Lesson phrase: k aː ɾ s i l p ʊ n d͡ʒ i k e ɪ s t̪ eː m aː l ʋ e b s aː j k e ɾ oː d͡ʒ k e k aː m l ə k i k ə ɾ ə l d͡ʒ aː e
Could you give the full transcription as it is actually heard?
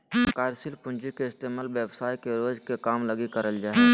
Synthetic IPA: k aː ɾ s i l p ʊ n d͡ʒ i k e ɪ s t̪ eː m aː l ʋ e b s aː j k e ɾ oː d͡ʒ k e k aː m l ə ɡ i k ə ɾ ə l d͡ʒ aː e